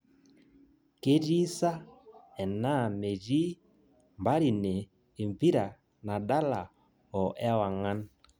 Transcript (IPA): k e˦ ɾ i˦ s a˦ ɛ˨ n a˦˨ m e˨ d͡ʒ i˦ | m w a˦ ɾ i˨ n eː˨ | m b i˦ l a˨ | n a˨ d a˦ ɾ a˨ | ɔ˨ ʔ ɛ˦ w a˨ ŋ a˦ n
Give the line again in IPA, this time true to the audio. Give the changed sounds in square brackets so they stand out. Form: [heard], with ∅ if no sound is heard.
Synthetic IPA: k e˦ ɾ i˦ s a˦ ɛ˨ n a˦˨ m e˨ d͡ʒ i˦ | m [b] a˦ ɾ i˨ n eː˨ | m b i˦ [ɾ] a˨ | n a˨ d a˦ [l] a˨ | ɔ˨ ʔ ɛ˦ w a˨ ŋ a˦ n